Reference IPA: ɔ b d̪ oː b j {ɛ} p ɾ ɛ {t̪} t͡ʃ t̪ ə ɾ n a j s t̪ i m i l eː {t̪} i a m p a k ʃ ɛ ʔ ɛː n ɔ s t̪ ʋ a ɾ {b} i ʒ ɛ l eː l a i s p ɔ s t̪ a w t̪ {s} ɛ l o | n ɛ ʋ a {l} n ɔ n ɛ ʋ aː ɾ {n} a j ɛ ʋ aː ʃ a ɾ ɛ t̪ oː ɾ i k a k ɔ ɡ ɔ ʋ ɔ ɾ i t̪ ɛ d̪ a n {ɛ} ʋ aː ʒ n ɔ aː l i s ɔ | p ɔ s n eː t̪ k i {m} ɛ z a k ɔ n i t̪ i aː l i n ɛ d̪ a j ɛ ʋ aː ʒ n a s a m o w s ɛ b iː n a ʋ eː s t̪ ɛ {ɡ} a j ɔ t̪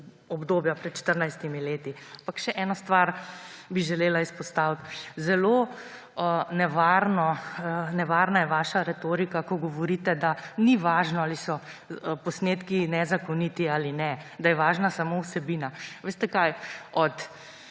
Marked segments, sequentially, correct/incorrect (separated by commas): incorrect, correct, correct, correct, incorrect, incorrect, correct, incorrect, incorrect, incorrect